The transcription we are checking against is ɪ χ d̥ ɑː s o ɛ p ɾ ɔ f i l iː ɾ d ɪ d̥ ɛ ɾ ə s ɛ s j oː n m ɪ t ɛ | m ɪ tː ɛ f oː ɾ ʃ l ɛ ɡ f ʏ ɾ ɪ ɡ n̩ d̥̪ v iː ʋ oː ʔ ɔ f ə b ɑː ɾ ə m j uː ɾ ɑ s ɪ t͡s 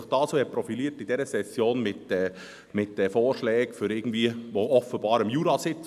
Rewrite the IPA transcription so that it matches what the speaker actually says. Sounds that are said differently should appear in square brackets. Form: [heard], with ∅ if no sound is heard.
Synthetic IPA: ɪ χ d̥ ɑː s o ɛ p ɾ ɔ f i l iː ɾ [t] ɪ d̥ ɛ ɾ ə s ɛ s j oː n m ɪ t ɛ | m ɪ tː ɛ f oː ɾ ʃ l [ɛː] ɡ f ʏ ɾ ɪ ɡ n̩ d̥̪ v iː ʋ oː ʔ ɔ f ə b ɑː ɾ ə m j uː ɾ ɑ s ɪ t͡s